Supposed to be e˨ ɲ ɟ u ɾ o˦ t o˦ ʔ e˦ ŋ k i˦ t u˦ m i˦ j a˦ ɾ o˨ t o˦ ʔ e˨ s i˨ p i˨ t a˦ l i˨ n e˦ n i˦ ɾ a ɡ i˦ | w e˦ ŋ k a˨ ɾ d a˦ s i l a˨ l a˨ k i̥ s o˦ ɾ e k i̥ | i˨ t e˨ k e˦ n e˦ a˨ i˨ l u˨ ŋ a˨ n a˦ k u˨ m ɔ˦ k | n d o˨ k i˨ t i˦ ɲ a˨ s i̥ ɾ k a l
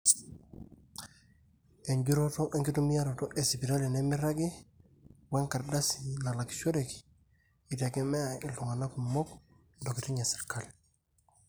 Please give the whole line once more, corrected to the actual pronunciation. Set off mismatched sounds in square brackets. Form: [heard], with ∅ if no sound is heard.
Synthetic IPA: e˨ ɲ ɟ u ɾ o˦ t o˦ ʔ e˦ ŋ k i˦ t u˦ m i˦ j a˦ ɾ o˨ t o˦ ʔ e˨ s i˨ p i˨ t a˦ l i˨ n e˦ [m] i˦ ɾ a ɡ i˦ | w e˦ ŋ k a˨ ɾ d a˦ s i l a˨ l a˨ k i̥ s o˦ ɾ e k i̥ | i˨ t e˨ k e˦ [m] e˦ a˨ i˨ l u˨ ŋ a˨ n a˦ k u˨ m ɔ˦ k | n d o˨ k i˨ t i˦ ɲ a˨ s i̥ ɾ k a l